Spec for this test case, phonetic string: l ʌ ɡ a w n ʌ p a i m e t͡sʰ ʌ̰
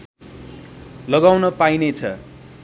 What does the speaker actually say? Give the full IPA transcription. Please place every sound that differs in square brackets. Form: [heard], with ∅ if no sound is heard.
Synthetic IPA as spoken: l ʌ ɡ a w n ʌ p a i [n] e t͡sʰ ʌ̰